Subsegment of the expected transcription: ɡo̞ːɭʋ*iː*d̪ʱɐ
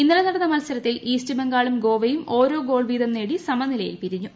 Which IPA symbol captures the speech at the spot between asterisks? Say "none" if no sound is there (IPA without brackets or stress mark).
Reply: iː